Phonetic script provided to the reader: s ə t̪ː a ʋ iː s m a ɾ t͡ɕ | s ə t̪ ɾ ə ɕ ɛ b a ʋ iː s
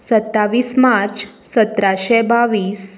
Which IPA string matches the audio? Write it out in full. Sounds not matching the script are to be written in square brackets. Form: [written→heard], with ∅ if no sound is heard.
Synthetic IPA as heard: s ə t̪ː a ʋ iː s m a ɾ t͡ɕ | s ə t̪ ɾ [ə→a] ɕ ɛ b a ʋ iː s